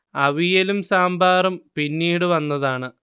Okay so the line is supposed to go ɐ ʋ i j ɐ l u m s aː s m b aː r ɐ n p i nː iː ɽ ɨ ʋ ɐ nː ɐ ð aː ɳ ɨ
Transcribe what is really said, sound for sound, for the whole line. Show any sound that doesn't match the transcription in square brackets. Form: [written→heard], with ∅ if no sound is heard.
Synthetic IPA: ɐ ʋ i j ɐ l u m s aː [s→∅] m b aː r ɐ [n→m] p i nː iː ɽ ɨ ʋ ɐ nː ɐ ð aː ɳ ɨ